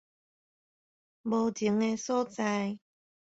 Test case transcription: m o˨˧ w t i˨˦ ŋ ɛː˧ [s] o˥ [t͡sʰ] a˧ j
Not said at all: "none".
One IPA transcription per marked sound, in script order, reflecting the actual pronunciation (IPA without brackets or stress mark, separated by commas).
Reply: s, t͡s